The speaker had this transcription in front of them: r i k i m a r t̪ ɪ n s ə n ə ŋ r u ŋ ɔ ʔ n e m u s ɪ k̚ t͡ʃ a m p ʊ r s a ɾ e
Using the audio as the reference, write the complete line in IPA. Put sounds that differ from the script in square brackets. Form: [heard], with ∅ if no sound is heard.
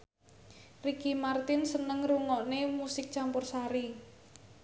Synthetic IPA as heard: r i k i m a r t̪ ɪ n s ə n ə ŋ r u ŋ ɔ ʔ n e m u s ɪ k̚ t͡ʃ a m p ʊ r s a ɾ [i]